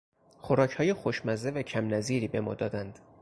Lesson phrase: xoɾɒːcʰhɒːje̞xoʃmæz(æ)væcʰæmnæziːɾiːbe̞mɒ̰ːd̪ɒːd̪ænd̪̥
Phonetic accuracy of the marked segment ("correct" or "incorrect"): incorrect